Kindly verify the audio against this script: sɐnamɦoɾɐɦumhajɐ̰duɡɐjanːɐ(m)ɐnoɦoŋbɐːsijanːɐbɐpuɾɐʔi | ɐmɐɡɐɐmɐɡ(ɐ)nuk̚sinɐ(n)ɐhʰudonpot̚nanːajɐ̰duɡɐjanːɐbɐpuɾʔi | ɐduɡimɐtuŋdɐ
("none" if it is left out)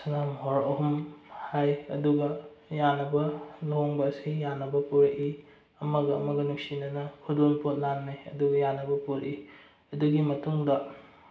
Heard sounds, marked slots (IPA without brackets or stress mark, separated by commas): b, ɐ, n